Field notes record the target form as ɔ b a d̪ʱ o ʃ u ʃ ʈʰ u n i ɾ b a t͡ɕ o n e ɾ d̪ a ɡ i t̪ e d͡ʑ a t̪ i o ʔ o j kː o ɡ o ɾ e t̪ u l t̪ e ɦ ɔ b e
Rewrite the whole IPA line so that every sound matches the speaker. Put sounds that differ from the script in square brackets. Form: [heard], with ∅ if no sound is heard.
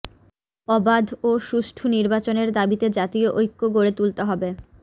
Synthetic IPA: ɔ b a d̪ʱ o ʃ u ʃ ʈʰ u n i ɾ b a t͡ɕ o n e ɾ d̪ a [b] i t̪ e d͡ʑ a t̪ i o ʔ o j kː o ɡ o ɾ e t̪ u l t̪ e ɦ ɔ b e